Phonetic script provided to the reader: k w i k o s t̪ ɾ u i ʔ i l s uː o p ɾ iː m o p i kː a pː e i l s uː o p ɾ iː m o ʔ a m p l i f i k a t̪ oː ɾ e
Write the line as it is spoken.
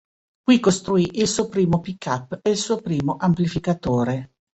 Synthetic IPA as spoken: k w i k o s t̪ ɾ u i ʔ i l s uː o p ɾ iː m o p i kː a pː e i l s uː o p ɾ iː m o ʔ a m p l i f i k a t̪ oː ɾ e